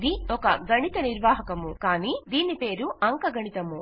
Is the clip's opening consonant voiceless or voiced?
voiced